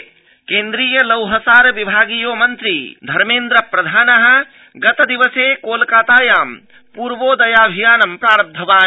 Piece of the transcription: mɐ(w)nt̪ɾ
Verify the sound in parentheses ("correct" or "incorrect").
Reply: incorrect